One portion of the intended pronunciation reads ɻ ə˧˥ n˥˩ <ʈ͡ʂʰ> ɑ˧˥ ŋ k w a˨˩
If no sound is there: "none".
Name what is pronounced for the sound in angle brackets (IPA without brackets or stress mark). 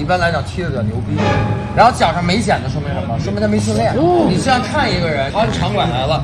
ʈ͡ʂʰ